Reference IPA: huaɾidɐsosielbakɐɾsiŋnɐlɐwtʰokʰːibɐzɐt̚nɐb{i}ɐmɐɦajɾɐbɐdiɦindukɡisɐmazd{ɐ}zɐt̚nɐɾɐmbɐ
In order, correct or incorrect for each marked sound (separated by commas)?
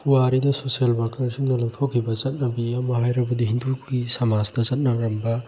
correct, correct